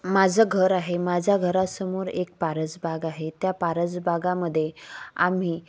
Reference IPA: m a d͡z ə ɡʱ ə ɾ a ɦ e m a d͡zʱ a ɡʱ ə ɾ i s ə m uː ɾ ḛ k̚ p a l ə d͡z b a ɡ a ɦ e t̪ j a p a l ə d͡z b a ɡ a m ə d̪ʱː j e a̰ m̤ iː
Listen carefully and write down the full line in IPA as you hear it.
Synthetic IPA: m a d͡z ə ɡʱ ə ɾ a ɦ e m a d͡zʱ a ɡʱ ə ɾ a s ə m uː ɾ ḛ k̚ p a ɾ ə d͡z b a ɡ a ɦ e t̪ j a p a ɾ ə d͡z b a ɡ a m ə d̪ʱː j e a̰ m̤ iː